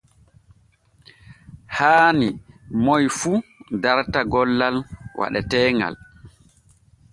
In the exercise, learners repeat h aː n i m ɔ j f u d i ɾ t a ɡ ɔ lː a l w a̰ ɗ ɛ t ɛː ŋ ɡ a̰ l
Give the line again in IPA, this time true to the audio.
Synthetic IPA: h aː n i m ɔ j f u d a ɾ t a ɡ ɔ lː a l w a̰ ɗ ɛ t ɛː ŋ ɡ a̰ l